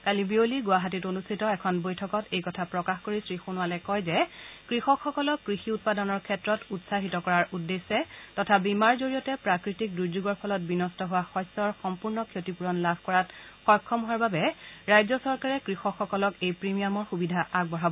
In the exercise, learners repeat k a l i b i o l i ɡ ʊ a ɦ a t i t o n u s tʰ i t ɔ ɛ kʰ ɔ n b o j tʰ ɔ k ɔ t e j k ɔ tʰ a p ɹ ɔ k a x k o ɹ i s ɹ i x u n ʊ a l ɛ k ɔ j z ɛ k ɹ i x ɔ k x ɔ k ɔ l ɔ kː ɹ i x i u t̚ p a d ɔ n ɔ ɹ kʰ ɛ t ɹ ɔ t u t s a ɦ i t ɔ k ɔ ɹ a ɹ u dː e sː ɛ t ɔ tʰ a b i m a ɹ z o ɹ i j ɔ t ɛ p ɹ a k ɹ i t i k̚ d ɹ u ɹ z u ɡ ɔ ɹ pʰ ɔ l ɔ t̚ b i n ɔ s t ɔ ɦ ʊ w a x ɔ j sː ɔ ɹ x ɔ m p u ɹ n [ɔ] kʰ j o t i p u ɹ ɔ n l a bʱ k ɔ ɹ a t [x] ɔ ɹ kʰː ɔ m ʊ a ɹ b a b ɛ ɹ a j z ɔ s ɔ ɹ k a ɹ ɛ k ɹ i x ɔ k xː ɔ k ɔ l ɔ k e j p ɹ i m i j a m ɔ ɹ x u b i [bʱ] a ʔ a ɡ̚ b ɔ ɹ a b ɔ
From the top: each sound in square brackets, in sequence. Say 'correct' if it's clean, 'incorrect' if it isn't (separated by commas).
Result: correct, correct, incorrect